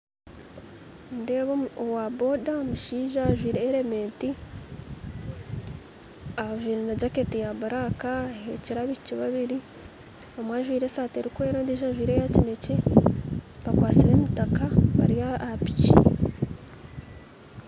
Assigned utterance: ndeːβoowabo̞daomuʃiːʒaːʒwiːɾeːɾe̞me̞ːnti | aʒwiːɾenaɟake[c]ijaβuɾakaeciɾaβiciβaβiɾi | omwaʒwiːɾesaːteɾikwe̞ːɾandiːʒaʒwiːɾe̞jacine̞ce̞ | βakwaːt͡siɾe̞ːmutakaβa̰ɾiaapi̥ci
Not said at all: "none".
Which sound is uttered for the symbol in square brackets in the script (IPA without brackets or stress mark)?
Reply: t